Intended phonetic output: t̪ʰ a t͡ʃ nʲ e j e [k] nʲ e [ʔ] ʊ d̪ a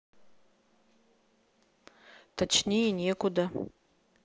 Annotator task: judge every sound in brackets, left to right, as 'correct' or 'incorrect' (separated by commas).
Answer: incorrect, incorrect